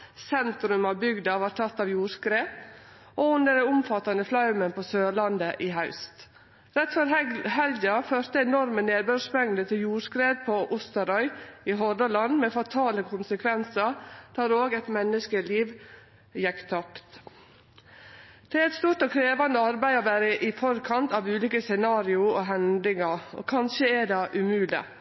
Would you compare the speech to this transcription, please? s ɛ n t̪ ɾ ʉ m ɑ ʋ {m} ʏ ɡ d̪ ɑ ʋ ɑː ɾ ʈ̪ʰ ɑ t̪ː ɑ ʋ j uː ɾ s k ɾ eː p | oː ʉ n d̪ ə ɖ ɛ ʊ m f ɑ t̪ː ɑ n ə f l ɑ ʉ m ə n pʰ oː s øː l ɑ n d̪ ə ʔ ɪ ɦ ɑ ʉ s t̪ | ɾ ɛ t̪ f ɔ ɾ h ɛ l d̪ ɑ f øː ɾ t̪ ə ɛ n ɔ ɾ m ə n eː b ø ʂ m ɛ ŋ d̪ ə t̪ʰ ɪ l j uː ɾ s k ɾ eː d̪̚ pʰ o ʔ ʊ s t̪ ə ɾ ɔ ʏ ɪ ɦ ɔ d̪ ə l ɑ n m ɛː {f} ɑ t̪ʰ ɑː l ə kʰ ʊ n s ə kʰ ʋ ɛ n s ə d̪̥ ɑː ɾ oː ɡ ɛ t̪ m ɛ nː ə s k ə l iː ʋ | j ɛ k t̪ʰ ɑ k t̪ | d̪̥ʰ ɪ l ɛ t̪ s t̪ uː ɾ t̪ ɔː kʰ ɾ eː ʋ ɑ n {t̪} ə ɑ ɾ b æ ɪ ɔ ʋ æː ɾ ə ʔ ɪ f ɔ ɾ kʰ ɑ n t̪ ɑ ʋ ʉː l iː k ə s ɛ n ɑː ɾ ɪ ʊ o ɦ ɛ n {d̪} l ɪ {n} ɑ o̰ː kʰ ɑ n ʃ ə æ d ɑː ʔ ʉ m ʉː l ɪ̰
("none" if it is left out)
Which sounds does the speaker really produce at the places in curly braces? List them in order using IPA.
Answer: b, f, d̪, d̪, ŋ

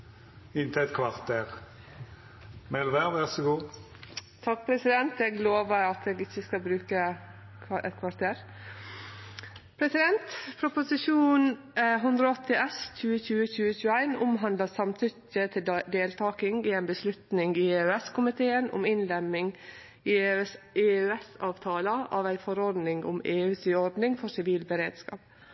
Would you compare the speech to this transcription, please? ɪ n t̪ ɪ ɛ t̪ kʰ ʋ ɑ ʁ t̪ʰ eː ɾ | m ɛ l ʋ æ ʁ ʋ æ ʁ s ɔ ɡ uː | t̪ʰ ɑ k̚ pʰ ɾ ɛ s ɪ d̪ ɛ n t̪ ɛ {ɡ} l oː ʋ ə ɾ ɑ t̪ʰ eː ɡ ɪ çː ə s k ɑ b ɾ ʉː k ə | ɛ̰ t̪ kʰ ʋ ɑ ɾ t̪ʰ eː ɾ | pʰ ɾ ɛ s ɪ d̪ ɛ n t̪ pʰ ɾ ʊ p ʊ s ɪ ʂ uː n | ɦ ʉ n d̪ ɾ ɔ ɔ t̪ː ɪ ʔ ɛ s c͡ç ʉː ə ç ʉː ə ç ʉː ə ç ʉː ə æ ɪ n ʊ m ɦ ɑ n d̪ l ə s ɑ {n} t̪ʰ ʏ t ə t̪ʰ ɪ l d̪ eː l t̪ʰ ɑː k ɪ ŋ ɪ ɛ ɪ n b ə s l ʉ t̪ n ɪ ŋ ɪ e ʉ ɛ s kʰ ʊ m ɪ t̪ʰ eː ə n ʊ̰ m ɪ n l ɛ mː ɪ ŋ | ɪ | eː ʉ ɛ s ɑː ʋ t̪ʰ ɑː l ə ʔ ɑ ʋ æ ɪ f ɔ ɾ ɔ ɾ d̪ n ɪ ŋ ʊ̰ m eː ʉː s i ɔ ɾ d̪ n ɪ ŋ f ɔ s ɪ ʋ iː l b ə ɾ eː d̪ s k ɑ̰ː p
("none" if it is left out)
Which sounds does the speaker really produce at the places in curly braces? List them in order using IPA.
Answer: ɡ, m

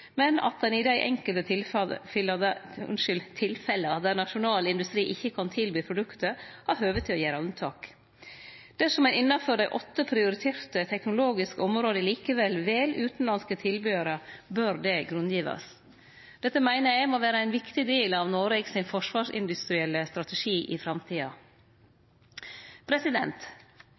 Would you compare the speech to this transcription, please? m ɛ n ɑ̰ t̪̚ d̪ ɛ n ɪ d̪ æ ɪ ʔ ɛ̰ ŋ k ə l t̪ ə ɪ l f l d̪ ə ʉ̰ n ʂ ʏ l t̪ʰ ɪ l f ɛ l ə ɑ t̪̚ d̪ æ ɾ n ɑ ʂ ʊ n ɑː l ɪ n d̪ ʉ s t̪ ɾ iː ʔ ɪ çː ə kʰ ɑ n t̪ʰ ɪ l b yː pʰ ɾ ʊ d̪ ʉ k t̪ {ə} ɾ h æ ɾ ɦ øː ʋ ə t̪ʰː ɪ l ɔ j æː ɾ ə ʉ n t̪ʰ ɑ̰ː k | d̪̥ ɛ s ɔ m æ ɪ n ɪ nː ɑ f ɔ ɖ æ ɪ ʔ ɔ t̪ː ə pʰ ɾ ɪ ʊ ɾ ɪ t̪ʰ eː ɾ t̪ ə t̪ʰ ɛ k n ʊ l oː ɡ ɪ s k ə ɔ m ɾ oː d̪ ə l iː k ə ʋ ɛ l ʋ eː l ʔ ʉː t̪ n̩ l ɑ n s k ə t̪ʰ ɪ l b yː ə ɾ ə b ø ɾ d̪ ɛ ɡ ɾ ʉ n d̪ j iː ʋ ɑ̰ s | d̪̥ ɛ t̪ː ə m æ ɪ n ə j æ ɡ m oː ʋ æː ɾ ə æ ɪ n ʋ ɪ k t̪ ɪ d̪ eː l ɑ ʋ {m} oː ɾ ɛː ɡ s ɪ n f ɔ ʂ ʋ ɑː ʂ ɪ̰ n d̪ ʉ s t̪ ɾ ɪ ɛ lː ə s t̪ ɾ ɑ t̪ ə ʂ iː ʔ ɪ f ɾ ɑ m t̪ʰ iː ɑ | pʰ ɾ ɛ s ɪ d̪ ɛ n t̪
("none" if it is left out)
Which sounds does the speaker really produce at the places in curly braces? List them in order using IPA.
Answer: ə, n

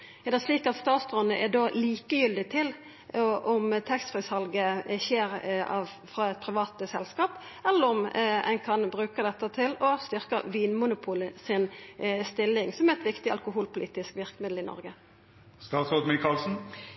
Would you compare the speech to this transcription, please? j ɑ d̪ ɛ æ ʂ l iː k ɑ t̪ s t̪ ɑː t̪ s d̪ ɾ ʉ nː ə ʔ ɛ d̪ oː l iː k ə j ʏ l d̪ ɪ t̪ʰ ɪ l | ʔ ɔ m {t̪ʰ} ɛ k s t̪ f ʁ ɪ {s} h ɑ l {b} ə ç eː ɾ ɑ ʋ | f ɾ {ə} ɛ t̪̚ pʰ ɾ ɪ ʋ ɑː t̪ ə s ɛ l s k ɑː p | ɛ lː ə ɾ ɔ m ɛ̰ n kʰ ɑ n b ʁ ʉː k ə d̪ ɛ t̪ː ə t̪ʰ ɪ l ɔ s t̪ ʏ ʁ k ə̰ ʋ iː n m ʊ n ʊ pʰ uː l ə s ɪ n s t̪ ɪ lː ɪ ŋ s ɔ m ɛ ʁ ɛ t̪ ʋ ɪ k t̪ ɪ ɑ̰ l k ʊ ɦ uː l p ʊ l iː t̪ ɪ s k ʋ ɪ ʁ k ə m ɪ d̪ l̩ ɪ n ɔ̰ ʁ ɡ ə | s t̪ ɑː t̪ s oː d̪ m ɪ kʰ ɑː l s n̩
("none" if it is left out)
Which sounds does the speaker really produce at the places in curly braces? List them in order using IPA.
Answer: t̪ʰ, s, ɡ, ɑ

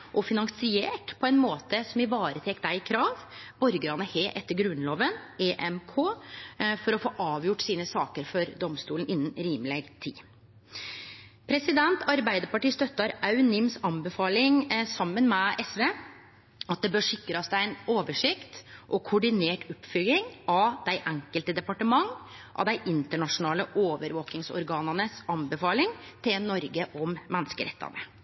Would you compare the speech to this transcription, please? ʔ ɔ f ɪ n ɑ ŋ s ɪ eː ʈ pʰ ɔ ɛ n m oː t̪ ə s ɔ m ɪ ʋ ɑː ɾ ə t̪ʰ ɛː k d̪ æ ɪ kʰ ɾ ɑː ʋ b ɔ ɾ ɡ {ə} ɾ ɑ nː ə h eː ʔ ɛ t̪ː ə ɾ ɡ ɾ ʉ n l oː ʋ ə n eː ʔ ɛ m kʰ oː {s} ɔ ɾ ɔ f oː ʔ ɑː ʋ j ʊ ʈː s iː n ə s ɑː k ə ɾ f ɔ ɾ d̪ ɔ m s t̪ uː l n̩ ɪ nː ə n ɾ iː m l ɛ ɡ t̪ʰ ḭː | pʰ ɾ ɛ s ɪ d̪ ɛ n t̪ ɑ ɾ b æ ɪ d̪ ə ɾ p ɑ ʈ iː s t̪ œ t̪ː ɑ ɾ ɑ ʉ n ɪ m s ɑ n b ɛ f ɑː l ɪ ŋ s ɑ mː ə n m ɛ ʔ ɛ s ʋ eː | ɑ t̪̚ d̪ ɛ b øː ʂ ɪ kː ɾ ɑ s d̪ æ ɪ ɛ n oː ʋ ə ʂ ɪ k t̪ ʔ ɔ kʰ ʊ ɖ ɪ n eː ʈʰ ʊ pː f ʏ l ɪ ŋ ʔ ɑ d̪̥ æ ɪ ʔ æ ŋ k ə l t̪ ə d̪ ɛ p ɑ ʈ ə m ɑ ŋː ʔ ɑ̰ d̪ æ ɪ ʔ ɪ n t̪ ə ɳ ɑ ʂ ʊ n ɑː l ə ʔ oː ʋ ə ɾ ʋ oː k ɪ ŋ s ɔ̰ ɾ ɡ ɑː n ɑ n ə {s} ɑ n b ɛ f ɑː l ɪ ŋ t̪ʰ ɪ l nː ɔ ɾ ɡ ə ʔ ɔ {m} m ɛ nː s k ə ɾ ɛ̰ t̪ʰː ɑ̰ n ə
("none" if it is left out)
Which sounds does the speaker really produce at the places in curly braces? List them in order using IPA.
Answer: ə, f, s, m

